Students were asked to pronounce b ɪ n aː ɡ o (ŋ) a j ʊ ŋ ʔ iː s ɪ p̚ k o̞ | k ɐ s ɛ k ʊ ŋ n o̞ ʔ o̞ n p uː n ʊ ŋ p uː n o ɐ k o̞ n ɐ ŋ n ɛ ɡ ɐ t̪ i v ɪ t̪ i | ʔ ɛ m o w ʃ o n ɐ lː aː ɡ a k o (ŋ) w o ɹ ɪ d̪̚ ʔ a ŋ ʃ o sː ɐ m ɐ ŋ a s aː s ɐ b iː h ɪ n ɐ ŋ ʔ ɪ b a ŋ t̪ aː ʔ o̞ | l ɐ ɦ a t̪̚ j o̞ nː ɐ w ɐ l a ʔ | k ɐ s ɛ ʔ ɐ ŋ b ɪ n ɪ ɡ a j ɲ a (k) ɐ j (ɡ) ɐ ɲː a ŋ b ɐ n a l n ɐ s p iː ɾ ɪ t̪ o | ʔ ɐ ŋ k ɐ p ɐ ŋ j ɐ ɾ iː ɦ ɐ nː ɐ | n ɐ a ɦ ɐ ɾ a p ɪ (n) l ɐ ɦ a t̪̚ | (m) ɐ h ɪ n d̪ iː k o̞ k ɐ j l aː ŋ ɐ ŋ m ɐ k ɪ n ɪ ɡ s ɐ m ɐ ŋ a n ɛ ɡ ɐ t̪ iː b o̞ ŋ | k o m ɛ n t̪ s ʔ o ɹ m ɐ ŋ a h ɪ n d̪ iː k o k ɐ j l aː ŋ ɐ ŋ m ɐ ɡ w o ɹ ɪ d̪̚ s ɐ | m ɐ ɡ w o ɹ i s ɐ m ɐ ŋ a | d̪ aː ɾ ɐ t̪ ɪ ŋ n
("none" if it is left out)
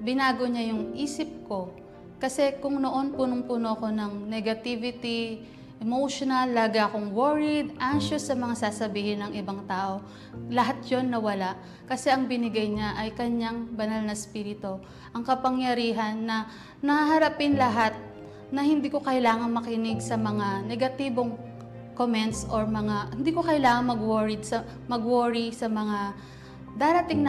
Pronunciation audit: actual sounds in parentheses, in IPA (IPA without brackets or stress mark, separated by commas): ɲ, ŋ, ʔ, k, n, n